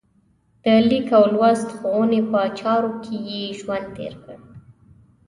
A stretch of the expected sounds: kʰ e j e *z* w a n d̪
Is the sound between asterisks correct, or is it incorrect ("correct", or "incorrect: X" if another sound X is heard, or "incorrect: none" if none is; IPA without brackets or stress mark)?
incorrect: ʒ